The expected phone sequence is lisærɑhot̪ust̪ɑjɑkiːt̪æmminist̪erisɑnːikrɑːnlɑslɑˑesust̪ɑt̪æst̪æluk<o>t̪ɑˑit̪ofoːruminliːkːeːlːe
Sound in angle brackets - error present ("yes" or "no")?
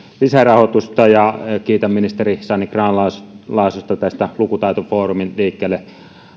yes